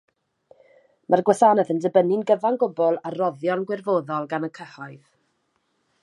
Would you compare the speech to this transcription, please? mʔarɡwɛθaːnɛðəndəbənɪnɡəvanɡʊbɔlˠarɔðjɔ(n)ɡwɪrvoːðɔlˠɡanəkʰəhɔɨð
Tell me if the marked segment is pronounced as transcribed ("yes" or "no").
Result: yes